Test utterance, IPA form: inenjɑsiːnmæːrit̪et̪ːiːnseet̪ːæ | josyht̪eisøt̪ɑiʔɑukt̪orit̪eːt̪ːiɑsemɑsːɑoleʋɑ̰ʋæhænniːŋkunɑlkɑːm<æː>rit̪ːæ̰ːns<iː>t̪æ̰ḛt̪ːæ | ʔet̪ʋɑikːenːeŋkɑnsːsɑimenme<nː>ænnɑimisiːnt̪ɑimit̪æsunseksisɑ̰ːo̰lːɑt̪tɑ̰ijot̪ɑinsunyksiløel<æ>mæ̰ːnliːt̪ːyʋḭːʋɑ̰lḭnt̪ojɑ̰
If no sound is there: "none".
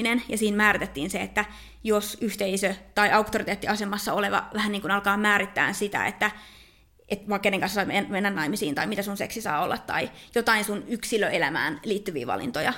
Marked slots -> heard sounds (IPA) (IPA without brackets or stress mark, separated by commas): æː, i, nː, æ